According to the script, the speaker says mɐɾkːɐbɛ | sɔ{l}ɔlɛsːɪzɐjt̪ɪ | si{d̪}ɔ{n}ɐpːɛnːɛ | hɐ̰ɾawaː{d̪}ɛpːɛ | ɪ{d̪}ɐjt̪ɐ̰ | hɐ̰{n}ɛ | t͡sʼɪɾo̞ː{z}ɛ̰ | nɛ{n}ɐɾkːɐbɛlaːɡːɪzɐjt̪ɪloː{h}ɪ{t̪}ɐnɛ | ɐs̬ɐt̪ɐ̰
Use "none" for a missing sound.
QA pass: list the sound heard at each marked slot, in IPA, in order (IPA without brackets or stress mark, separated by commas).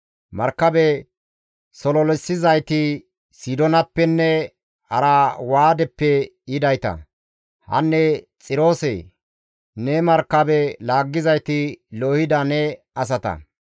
l, d̪, n, d̪, d̪, nː, s, m, h, d̪